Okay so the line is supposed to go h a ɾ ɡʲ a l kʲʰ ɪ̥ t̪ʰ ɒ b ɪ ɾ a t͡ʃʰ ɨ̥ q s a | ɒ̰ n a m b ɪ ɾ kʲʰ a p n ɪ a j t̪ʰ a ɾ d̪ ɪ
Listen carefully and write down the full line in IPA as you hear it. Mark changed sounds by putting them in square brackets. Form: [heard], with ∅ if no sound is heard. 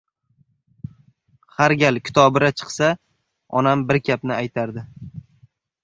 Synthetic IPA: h a ɾ ɡʲ a l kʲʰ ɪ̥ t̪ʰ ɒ b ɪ ɾ a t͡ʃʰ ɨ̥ q s a | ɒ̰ n a m b ɪ ɾ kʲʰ a p n ɪ a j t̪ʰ a ɾ d̪ ɪ